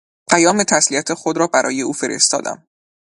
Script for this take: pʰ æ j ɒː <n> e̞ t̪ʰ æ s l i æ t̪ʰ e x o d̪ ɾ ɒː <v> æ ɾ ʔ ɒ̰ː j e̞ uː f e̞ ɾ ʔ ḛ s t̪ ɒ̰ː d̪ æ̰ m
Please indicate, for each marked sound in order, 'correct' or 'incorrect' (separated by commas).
incorrect, incorrect